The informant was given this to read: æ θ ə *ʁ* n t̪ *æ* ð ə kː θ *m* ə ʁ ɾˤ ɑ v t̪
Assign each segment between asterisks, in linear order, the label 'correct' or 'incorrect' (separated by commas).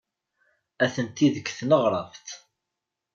incorrect, incorrect, incorrect